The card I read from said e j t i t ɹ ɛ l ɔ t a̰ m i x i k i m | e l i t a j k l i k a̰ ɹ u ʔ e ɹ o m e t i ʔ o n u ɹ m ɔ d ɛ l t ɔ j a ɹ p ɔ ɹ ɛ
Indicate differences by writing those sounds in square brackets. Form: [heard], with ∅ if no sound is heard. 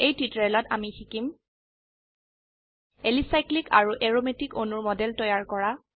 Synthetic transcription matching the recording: e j t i t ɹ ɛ l ɔ t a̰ m i x i k i m | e l i [s] a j k l i k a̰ ɹ u ʔ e ɹ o m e t i [k] o n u ɹ m ɔ d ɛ l t ɔ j a ɹ [k] ɔ ɹ [a]